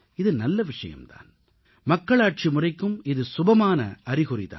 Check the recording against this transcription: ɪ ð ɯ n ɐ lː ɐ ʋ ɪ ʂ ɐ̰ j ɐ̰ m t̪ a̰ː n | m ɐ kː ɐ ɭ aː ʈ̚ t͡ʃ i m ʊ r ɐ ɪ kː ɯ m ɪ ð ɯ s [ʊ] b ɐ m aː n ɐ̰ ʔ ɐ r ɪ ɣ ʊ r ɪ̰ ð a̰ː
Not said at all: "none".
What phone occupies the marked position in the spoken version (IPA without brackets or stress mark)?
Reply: ʊ